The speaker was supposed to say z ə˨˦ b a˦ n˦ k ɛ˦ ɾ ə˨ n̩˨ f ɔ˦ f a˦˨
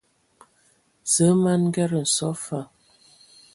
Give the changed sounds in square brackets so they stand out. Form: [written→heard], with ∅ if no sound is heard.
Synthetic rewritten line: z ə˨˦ [b→m] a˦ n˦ [k→ɡ] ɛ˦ ɾ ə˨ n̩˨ [f→s] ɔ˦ f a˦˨